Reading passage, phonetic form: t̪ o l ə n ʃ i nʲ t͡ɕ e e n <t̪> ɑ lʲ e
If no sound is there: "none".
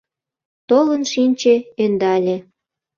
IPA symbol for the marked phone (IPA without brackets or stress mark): d̪